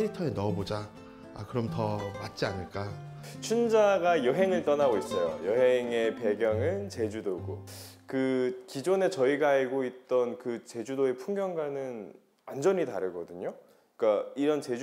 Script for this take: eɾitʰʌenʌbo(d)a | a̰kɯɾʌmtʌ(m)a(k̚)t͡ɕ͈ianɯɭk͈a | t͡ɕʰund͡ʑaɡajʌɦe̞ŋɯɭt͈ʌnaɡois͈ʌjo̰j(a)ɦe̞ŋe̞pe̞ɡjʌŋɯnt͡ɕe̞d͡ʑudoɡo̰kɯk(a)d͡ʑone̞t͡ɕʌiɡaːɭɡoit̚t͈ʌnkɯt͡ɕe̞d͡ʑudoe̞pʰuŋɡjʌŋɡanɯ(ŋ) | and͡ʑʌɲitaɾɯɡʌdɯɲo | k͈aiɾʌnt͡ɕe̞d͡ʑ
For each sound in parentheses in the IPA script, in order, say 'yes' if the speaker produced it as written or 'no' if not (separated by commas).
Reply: no, yes, no, no, no, no